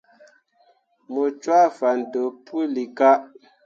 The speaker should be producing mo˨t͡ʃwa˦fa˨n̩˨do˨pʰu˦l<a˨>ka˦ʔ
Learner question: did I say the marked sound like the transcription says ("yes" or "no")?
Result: no